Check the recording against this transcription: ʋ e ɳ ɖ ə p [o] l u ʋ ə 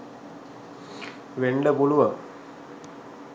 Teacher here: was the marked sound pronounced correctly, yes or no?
no